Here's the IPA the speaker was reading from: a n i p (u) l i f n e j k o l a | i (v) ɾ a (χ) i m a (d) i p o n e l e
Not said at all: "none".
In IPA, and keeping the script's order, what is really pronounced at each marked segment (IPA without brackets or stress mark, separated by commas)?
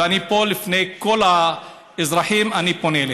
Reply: o, z, ħ, n